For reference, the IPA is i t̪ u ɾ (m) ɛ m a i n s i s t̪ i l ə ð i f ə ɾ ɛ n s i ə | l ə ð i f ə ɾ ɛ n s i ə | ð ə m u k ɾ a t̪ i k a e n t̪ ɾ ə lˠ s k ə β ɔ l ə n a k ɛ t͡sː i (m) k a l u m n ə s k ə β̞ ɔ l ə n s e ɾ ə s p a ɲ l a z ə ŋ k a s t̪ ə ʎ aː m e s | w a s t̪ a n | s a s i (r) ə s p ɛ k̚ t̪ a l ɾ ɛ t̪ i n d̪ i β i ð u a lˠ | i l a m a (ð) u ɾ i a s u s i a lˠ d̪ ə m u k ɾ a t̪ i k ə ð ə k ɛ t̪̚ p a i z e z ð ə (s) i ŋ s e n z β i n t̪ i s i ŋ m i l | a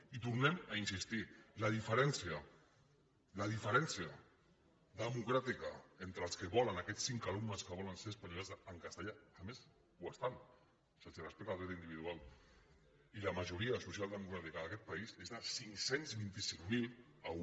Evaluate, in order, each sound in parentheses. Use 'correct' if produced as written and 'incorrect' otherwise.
incorrect, incorrect, correct, incorrect, correct

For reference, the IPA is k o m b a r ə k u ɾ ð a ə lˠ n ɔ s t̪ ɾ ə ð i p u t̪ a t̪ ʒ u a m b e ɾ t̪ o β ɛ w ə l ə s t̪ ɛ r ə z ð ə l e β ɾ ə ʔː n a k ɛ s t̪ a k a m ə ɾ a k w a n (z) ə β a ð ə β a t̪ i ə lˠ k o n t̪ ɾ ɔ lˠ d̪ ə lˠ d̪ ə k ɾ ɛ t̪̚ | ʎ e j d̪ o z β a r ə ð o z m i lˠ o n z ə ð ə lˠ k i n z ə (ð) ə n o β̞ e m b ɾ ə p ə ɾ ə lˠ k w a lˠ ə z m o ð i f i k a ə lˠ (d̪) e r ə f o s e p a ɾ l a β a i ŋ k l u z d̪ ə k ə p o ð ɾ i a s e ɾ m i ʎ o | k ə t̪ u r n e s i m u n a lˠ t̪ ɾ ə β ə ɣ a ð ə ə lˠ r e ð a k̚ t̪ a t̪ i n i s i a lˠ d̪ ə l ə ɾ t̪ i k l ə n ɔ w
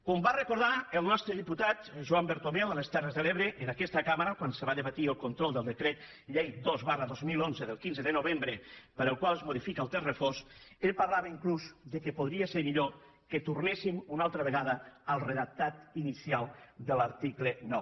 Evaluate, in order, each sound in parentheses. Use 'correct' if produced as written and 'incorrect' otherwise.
incorrect, correct, incorrect

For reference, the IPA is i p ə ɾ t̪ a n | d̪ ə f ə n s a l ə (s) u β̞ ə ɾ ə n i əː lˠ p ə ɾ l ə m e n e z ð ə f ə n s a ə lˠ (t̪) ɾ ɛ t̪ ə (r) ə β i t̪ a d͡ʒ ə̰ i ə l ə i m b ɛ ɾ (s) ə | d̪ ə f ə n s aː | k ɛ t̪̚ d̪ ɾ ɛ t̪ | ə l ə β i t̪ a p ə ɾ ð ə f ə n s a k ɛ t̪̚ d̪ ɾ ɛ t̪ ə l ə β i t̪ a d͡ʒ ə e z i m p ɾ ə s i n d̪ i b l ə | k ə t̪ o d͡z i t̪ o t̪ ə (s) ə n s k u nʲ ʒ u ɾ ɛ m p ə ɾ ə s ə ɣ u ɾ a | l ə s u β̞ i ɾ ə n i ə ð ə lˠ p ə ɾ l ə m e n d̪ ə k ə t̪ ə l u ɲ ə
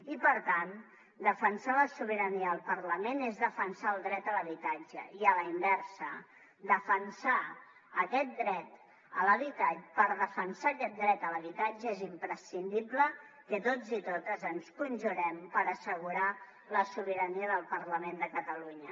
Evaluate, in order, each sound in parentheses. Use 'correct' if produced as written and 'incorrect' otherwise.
correct, incorrect, incorrect, correct, incorrect

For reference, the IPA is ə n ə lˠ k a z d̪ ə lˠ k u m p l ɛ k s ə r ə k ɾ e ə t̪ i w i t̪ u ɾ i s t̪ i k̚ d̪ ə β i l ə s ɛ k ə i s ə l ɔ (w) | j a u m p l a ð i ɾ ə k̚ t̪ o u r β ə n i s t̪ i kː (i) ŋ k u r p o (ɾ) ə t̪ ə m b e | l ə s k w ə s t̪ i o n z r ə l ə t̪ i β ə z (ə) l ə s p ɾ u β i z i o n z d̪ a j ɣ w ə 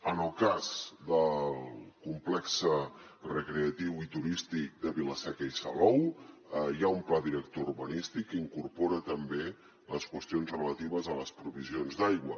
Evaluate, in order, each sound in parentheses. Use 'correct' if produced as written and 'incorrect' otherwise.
correct, correct, correct, correct

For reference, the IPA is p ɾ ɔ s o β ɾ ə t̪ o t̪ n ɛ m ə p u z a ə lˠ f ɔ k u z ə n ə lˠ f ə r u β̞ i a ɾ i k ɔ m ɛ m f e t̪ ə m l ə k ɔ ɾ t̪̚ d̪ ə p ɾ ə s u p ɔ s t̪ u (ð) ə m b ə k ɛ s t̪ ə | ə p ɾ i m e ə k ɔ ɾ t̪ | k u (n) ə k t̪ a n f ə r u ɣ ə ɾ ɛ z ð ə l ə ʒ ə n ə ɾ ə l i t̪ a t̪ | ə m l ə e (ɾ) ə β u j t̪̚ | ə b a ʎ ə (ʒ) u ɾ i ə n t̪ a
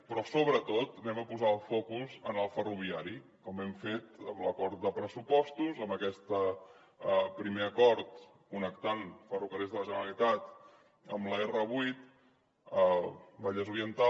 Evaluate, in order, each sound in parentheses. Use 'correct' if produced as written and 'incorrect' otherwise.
incorrect, correct, incorrect, incorrect

